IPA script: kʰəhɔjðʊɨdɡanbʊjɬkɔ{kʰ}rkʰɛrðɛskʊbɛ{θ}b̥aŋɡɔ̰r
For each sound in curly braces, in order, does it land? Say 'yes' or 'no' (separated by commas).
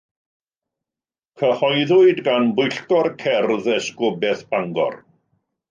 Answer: no, yes